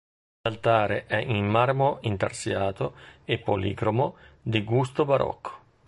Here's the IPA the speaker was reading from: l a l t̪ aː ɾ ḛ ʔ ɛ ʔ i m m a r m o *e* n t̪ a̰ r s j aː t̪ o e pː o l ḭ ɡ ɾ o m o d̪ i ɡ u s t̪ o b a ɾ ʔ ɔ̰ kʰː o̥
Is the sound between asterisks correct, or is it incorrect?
incorrect